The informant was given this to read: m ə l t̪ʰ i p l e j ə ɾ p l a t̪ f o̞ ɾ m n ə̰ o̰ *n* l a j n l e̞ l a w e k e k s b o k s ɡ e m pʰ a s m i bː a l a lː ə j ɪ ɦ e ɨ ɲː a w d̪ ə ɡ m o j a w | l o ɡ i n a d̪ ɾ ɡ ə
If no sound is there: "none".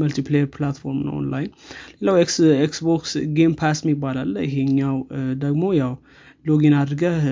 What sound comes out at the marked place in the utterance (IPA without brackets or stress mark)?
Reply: n